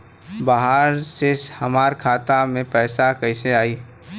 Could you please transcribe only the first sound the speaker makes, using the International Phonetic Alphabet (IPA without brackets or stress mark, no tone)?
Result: b